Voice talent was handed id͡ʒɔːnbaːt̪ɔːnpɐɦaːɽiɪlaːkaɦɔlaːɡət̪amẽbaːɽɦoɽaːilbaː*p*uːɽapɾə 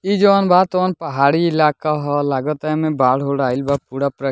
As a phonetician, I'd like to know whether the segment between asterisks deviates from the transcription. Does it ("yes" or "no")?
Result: no